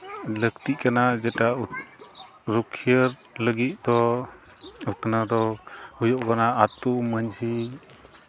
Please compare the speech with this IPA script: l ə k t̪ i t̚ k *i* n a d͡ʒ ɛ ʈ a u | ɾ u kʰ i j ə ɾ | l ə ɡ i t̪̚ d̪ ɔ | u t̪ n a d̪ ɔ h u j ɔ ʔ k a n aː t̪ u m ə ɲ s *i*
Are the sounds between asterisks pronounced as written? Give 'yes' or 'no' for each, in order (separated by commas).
no, yes